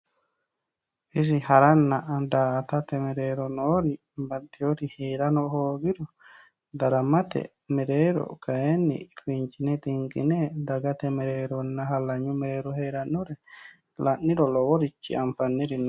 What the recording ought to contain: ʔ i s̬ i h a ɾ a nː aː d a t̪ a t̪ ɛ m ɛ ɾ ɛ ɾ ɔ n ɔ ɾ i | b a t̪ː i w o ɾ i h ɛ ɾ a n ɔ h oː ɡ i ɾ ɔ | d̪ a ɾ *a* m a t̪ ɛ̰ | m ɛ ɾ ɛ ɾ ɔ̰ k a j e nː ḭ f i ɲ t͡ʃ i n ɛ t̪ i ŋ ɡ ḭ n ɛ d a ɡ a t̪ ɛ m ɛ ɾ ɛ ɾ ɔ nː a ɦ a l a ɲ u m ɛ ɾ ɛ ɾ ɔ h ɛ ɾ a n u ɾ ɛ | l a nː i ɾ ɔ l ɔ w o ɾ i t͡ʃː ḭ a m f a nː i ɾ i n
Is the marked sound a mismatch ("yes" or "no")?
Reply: no